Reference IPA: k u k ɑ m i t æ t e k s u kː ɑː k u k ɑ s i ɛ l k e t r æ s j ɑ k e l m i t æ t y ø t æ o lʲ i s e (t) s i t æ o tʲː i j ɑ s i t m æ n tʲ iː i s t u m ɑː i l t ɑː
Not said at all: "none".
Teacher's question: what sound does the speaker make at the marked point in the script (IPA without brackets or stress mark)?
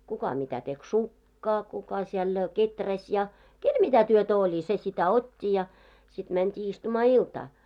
none